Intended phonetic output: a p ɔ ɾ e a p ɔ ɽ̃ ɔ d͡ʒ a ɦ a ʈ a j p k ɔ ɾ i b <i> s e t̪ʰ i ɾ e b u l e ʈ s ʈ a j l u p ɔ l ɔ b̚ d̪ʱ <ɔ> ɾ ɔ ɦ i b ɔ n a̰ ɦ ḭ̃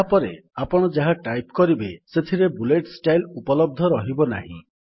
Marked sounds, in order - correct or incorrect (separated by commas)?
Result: incorrect, correct